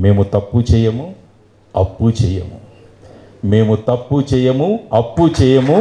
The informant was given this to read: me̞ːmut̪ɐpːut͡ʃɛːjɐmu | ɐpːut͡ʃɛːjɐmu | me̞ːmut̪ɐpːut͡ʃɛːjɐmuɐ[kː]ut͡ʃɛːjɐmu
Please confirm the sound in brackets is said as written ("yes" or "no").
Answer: no